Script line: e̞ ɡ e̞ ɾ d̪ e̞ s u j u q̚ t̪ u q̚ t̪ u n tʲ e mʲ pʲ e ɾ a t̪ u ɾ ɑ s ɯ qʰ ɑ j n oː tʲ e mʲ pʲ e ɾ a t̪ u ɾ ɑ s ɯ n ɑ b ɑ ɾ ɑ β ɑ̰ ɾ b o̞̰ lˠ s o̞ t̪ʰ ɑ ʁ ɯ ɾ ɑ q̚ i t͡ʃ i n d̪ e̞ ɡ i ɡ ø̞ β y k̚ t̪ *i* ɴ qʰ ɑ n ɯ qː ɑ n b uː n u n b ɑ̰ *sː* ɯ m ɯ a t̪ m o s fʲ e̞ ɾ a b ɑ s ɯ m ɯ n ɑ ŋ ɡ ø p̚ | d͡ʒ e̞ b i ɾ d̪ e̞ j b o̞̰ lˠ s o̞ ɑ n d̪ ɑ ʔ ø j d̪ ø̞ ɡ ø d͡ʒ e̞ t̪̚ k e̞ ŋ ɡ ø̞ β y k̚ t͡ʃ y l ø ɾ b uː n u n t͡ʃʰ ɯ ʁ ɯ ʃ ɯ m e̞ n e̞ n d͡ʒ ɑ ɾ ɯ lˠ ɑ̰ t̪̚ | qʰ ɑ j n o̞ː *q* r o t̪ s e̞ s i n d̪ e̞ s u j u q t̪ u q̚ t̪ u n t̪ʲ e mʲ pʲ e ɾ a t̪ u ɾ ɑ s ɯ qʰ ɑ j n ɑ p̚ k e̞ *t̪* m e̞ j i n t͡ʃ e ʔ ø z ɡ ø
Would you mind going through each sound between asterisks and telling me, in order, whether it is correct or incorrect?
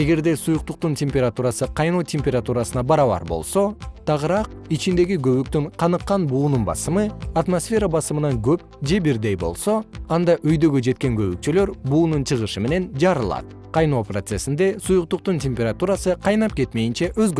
incorrect, incorrect, incorrect, correct

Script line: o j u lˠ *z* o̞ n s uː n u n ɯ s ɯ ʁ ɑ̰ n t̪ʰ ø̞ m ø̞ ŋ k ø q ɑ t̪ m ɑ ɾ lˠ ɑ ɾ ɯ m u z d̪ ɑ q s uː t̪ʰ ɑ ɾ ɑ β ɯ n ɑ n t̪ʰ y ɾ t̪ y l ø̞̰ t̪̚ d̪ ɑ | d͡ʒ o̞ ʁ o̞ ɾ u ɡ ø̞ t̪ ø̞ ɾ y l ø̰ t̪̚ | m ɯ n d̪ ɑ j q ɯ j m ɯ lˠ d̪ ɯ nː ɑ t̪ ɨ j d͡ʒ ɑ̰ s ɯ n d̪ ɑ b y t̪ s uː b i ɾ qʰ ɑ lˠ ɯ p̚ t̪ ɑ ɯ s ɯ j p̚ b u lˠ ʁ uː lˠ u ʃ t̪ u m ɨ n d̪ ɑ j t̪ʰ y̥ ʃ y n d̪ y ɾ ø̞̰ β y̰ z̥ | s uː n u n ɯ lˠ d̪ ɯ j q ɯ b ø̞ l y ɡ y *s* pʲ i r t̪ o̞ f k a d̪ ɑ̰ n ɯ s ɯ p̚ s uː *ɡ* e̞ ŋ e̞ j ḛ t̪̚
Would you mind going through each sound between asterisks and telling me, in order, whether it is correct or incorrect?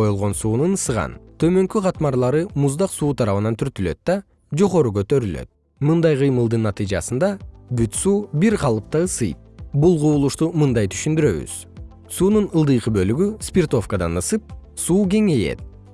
incorrect, correct, correct

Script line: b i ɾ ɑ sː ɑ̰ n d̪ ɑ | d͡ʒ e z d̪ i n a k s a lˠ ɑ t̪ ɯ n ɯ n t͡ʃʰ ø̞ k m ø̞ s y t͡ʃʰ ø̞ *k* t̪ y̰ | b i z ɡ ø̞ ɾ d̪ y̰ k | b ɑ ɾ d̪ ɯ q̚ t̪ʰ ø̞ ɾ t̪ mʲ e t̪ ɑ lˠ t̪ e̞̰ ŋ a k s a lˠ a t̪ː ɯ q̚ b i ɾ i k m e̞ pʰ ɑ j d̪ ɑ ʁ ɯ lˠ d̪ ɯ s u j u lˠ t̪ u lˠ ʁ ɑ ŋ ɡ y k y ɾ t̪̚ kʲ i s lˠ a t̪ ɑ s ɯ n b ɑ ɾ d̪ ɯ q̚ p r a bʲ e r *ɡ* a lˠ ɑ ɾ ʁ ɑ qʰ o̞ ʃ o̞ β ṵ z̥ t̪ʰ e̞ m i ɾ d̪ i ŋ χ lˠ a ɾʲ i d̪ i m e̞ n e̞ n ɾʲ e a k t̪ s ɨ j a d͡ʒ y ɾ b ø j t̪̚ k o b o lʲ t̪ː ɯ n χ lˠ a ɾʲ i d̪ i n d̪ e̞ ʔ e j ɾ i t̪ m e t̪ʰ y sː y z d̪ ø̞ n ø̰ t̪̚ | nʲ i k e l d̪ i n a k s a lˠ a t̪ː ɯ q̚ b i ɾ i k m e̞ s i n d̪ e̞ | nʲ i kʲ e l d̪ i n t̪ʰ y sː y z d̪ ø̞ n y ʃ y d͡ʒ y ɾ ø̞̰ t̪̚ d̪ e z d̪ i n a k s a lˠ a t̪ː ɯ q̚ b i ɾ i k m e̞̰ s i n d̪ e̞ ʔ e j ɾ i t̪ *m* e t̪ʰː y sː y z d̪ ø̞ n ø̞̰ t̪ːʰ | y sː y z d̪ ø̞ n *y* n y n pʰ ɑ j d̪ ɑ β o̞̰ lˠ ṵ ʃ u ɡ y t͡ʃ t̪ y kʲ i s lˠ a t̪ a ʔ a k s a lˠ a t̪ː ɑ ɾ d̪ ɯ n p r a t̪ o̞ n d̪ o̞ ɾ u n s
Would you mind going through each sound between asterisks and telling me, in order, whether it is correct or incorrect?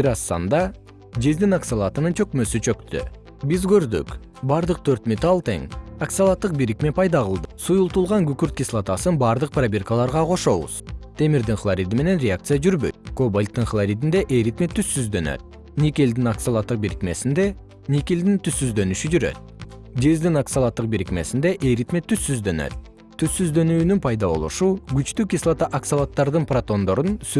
correct, incorrect, correct, incorrect

